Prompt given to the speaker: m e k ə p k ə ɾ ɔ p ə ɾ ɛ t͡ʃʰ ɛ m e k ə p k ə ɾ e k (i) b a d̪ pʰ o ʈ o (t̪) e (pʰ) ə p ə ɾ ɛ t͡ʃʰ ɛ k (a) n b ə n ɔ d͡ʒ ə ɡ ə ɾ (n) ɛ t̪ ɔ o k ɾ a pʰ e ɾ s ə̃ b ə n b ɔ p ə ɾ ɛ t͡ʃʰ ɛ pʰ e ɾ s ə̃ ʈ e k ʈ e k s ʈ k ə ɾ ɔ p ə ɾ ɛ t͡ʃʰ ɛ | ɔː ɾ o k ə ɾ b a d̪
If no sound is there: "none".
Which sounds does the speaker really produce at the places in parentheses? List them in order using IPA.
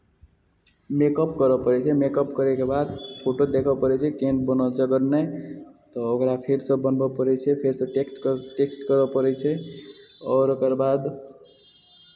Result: e, d̪, kʰ, e, n

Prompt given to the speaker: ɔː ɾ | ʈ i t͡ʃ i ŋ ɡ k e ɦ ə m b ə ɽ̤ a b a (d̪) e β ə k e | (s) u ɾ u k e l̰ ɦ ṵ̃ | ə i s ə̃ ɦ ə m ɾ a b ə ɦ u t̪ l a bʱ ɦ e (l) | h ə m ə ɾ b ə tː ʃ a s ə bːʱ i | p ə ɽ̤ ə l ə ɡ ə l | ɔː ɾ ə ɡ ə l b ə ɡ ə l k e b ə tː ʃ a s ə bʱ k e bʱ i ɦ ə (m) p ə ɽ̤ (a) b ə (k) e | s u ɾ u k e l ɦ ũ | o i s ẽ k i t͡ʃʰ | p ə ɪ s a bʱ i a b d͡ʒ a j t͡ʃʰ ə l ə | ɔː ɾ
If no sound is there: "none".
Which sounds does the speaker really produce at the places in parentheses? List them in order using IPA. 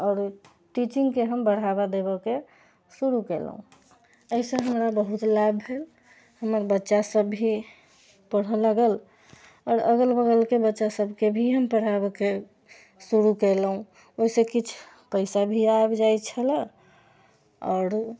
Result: d̪, s, l, m, a, k

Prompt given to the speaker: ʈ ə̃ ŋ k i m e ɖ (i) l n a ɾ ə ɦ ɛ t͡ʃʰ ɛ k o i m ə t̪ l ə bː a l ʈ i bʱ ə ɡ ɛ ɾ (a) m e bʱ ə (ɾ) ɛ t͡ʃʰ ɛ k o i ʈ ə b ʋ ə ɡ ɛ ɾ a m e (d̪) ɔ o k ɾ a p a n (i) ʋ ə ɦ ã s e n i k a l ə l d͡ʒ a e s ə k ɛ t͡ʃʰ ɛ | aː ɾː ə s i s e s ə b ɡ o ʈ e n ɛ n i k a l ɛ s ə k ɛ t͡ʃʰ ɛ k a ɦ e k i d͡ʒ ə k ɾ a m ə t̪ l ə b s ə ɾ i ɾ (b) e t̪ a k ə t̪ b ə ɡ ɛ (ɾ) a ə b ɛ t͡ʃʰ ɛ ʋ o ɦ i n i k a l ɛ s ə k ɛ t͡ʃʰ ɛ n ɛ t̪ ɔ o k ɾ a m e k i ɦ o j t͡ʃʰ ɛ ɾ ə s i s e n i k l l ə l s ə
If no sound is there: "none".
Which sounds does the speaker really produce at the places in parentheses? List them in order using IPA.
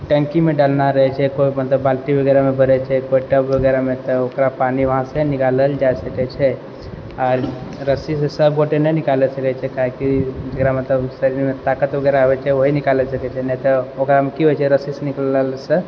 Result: a, a, ɾ, t̪, i, m, ɾ

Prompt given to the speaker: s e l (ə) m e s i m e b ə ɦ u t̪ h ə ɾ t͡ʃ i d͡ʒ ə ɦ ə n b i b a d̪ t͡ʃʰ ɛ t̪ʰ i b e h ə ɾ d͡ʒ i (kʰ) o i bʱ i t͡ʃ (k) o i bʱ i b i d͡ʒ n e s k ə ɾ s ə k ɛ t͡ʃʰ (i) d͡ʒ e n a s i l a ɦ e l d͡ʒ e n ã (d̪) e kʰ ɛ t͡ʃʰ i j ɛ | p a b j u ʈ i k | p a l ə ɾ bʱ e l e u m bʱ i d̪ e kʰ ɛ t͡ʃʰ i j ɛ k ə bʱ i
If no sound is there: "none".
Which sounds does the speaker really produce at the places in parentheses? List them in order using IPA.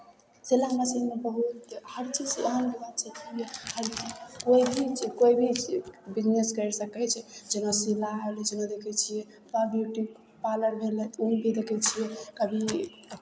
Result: a, k, k, ɛ, d̪

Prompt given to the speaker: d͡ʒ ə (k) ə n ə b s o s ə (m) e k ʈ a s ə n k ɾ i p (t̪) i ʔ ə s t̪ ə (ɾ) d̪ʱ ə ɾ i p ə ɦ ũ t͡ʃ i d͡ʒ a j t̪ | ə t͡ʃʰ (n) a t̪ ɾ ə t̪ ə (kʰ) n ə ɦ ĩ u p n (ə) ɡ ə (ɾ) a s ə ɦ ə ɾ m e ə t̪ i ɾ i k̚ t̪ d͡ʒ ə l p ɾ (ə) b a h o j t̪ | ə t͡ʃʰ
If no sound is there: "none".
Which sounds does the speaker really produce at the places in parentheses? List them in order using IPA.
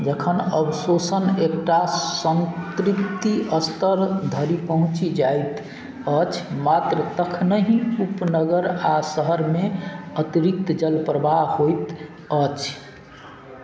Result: kʰ, n, t̪, ɾ, m, kʰ, ə, ɾ, ə

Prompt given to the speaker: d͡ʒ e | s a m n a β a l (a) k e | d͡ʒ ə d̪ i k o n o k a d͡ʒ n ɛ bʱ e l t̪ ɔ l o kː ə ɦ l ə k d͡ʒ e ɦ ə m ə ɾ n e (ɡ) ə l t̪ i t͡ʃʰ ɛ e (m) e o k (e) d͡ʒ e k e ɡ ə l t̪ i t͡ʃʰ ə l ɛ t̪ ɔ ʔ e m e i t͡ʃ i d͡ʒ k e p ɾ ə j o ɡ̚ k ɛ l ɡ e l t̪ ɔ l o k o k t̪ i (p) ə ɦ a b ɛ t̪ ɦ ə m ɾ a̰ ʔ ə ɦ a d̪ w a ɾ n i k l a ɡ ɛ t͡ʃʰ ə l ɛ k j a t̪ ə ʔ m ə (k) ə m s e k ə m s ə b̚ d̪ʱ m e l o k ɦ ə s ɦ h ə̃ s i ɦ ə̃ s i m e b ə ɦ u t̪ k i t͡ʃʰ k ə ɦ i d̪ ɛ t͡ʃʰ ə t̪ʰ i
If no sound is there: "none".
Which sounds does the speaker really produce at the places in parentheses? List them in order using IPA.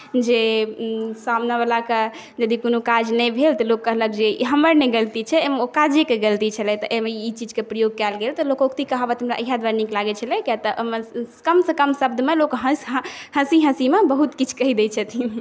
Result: a, ɡ, m, a, k, k

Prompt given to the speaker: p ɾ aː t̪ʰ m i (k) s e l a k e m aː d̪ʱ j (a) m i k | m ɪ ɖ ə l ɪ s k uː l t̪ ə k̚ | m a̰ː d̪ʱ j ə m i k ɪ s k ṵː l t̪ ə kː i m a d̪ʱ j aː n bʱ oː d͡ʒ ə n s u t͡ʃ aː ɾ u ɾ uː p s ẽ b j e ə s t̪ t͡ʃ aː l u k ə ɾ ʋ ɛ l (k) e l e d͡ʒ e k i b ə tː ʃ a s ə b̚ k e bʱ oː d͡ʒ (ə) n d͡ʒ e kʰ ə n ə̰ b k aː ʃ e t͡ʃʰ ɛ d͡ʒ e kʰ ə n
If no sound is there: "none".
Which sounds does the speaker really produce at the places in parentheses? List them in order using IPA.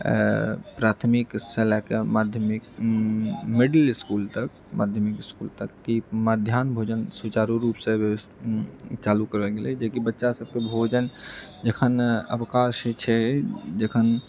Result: k, ə, ɡ, ə

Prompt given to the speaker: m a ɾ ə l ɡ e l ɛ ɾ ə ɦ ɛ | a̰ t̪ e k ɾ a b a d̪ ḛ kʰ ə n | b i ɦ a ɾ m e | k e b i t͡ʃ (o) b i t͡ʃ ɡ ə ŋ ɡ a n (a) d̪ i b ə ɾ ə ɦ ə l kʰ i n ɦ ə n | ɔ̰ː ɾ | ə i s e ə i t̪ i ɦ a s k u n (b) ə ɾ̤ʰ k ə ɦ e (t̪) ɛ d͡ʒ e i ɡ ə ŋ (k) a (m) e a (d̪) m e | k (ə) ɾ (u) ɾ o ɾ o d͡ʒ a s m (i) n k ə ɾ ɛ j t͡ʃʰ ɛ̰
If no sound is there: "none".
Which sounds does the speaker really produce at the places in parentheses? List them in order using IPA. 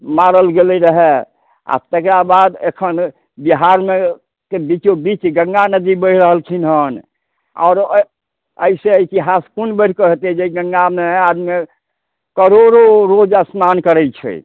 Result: o, ə, b, t̪, ɡ, m, d̪, ə, o, a

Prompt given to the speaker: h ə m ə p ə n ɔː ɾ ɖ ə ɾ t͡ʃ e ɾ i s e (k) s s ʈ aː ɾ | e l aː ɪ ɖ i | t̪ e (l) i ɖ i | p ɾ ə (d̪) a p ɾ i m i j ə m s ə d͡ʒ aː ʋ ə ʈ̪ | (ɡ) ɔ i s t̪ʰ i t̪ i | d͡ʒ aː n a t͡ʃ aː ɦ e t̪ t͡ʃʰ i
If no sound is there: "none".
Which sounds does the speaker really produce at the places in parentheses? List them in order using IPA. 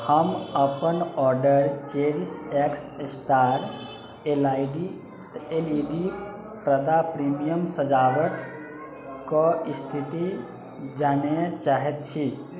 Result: k, l, d̪, k

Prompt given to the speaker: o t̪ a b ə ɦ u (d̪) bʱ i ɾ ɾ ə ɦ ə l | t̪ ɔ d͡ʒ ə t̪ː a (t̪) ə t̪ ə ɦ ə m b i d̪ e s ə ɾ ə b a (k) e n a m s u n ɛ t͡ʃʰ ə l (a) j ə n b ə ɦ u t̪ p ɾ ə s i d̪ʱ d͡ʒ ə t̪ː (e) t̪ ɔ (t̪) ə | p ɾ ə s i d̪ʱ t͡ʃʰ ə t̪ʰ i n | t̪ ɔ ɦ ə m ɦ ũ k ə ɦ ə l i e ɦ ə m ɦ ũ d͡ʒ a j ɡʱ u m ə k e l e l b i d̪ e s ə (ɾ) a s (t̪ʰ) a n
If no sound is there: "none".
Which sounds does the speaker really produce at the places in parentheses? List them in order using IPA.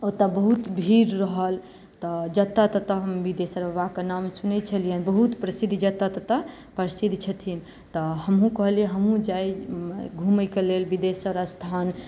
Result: t̪, t̪, k, i, a, t̪, ɾ, t̪ʰ

